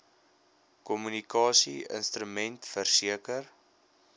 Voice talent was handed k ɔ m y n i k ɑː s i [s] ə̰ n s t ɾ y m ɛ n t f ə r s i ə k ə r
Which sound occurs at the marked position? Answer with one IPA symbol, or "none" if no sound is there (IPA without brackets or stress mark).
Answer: none